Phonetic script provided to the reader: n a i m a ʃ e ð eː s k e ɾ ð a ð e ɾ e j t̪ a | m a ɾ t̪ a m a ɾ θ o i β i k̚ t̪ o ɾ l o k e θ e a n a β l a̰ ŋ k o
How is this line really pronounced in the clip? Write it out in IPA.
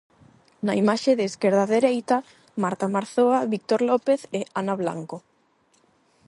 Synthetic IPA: n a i m a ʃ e ð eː s k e ɾ ð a ð e ɾ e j t̪ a | m a ɾ t̪ a m a ɾ θ o a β i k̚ t̪ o ɾ l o p e θ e a n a β l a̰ ŋ k o